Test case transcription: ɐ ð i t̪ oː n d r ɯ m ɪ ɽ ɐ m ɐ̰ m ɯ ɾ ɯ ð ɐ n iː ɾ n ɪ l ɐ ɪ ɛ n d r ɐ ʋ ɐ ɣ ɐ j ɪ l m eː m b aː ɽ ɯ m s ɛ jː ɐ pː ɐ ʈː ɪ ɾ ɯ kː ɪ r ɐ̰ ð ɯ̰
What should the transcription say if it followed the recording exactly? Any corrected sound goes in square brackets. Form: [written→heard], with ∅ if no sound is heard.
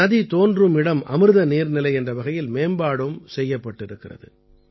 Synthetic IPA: ɐ ð i t̪ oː n d r ɯ m ɪ ɽ ɐ m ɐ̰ m ɯ ɾ ɯ ð ɐ n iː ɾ n ɪ l ɐ ɪ ɛ n d r ɐ ʋ ɐ ɣ ɐ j ɪ l m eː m b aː ɽ ɯ m s ɛ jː ɐ pː ɐ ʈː ɪ ɾ ɯ kː ɪ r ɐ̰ ð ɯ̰